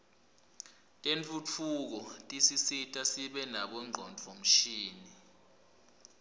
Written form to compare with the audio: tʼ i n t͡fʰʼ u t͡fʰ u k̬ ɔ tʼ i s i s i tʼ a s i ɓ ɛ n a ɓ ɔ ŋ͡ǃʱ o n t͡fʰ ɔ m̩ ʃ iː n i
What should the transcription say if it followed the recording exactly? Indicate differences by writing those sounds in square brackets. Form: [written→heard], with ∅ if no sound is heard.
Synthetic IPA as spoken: tʼ [i→e] n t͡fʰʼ u t͡fʰ u k̬ ɔ tʼ i s i s i tʼ a s i ɓ ɛ n a ɓ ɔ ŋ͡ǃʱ [o→ɔ] n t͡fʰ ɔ m̩ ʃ iː n i